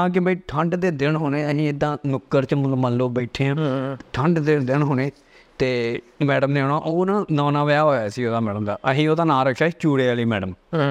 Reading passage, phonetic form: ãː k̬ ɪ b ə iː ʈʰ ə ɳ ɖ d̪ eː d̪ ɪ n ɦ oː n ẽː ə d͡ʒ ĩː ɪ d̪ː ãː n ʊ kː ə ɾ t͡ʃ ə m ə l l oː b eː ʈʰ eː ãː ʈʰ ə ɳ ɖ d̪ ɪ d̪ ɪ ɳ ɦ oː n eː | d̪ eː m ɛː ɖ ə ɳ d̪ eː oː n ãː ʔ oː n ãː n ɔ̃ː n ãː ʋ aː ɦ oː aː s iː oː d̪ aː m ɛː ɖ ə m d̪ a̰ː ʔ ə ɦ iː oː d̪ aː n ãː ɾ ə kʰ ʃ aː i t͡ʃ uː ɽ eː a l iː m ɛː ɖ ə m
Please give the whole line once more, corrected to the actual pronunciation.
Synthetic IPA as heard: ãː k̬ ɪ b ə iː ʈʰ ə ɳ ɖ d̪ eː d̪ ɪ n ɦ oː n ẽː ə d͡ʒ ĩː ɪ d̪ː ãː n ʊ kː ə ɾ t͡ʃ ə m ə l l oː b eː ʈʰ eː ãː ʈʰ ə ɳ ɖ d̪ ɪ d̪ ɪ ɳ ɦ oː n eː | t̪ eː m ɛː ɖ ə m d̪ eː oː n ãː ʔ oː n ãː n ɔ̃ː n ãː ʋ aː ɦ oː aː s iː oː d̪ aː m ɛː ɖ ə m d̪ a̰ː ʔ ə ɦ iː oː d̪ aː n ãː ɾ ə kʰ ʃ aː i t͡ʃ uː ɽ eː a l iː m ɛː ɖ ə m